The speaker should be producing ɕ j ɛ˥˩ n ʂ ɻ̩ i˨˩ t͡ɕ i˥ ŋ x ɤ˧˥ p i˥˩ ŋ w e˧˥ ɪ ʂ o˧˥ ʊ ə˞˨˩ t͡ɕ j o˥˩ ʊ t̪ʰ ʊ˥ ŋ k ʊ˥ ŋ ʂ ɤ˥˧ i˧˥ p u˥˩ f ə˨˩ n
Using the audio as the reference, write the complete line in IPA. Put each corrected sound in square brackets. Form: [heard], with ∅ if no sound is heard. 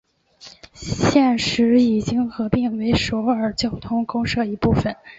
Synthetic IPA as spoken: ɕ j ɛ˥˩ n ʂ ɻ̩ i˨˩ t͡ɕ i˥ ŋ x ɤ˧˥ p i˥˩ ŋ w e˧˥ ɪ ʂ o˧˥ ʊ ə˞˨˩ t͡ɕ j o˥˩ ʊ t̪ʰ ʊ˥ ŋ k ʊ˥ ŋ ʂ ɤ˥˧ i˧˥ p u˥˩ f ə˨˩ n